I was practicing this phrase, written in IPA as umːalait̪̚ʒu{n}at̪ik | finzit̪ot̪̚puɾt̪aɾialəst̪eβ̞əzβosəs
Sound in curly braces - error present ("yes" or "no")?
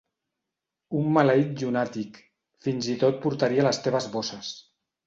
no